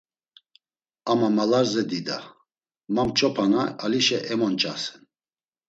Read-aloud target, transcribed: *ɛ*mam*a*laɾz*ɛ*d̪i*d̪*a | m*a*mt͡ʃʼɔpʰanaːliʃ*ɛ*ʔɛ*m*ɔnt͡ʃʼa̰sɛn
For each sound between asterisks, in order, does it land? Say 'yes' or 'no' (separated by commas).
no, yes, yes, yes, yes, yes, yes